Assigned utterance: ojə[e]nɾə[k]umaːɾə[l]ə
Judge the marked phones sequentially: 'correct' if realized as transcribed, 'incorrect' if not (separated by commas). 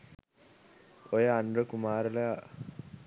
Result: incorrect, correct, correct